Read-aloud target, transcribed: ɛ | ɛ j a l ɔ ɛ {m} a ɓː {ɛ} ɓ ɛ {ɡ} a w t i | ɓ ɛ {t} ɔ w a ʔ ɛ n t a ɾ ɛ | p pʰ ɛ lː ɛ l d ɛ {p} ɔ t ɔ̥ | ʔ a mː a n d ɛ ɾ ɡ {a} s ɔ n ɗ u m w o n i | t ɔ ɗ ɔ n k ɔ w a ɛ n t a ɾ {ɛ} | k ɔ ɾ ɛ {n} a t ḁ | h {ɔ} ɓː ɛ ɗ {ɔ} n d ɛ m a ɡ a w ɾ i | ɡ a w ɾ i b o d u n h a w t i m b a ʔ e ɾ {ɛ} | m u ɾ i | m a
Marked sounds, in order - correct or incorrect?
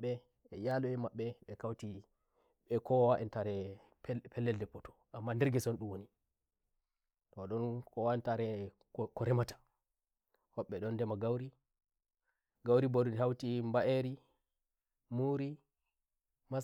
correct, correct, incorrect, incorrect, correct, incorrect, correct, incorrect, correct, correct, incorrect

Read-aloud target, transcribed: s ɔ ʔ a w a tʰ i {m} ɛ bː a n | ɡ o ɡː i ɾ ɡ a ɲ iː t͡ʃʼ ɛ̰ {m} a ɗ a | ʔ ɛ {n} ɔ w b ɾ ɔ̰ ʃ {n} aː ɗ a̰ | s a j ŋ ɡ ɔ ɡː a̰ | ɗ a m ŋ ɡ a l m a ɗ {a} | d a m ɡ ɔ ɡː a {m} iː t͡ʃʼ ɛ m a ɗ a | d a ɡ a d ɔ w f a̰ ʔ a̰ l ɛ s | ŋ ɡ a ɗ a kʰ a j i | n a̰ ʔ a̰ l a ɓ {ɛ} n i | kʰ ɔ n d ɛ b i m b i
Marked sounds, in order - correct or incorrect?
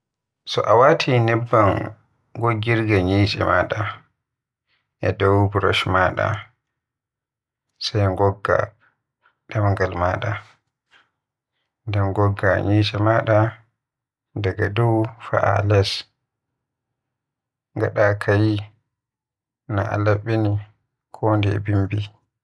incorrect, correct, incorrect, incorrect, correct, incorrect, incorrect

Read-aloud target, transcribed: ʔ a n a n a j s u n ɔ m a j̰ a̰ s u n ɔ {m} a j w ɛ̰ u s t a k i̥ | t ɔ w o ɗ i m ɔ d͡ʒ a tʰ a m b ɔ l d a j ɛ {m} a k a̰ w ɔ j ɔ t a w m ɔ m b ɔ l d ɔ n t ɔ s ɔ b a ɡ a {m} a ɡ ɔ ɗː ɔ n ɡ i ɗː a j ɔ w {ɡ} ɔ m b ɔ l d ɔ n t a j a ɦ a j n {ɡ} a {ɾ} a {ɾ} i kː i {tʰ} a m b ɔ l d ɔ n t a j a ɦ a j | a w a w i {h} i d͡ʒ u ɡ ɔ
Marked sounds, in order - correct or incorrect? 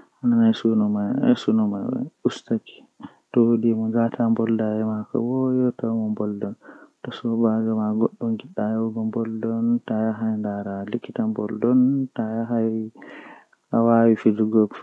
correct, correct, correct, correct, incorrect, correct, incorrect, incorrect, incorrect

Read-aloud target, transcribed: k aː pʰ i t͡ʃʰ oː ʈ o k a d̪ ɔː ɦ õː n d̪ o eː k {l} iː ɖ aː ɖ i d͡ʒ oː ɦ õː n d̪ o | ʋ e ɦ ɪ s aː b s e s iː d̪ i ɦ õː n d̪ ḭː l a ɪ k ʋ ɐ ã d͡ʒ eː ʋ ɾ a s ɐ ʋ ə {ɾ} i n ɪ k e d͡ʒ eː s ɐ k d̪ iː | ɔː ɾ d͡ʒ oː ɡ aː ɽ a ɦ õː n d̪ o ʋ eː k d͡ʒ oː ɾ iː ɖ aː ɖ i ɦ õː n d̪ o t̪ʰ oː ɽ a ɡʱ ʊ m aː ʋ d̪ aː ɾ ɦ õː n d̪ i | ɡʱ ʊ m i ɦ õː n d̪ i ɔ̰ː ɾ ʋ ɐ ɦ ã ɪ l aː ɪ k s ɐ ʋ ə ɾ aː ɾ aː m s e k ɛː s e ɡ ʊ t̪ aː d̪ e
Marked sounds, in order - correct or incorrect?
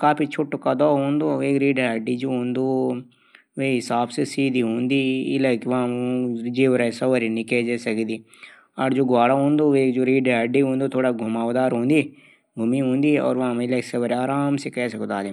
incorrect, correct

